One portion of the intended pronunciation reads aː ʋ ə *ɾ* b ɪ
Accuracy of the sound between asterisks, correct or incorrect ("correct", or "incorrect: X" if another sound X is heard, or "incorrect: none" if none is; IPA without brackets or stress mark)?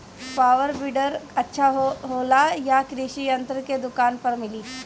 correct